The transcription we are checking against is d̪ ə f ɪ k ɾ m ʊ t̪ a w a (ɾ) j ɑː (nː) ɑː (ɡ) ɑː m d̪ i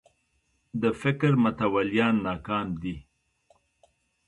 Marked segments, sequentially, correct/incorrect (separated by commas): incorrect, correct, incorrect